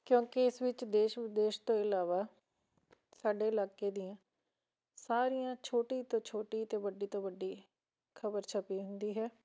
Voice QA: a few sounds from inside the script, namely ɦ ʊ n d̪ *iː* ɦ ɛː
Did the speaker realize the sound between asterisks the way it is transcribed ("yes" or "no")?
yes